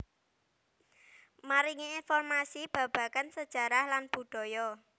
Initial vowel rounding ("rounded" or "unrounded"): unrounded